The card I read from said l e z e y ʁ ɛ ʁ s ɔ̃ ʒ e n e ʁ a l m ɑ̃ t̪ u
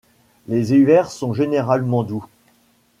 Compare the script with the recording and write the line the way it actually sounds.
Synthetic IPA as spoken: l e z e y v ɛ ʁ s ɔ̃ ʒ e n e ʁ a l m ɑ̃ d̪ u